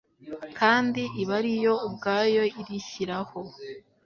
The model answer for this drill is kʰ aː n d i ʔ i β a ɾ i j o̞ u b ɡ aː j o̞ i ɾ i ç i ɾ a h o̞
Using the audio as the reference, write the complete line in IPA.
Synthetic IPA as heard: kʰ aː n d i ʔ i β a ɾ i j o̞ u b ɡ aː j o̞ i ɾ i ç i ɾ a h o̞